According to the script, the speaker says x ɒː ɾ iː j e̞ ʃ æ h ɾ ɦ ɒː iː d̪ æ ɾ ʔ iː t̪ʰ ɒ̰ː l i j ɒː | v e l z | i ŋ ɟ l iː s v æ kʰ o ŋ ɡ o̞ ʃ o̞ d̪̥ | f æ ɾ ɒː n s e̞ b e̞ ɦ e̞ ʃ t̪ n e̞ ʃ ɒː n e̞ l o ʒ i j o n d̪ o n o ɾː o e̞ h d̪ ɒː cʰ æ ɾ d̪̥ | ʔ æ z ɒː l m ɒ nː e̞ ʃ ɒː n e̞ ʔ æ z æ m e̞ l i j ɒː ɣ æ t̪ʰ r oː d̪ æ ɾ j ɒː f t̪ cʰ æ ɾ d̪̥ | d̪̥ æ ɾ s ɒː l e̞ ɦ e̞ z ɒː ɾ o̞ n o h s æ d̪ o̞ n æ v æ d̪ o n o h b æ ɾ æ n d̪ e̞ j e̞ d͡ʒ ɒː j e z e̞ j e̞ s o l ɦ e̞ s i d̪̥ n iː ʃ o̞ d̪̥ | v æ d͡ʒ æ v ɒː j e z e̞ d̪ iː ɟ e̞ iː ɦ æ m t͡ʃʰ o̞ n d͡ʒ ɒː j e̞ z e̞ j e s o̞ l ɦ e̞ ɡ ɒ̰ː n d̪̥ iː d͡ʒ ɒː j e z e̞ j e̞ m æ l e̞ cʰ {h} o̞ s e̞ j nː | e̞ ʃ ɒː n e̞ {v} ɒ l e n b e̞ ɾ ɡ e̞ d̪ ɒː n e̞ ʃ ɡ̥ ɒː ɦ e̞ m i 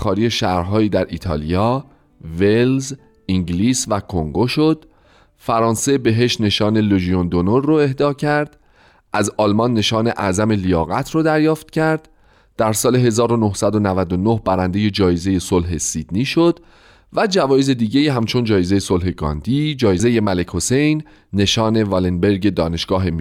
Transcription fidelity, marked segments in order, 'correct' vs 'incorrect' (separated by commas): correct, correct